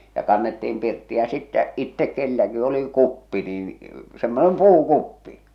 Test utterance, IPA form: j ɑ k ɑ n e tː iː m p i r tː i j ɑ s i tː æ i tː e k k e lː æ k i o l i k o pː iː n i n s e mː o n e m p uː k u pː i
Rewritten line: j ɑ k ɑ nː e tː iː m p i r tː i j ɑ s i tː æ i tː e k k e lː æ k i o l i k u pː i n i n s e mː o n e m p uː k u pː i

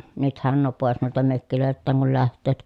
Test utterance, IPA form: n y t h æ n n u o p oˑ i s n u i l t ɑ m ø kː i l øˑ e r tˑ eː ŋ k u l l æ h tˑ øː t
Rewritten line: n y t h æ n n u o p oˑ e s n u i l t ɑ m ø kː i l øˑ e l tˑ æː ŋ k u l l æ h tˑ øː t

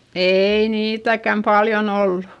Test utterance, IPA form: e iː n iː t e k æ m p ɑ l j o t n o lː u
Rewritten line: e iː n iː t æ k æ m p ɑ l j o n o lː u

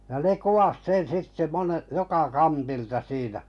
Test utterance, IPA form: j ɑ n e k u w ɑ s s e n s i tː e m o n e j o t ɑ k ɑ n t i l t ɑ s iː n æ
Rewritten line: j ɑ n e k u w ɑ s s e n s i tː e m o n e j o k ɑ k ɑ n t i l t ɑ s iː n æ

